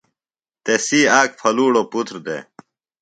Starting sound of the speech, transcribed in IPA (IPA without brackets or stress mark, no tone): t̪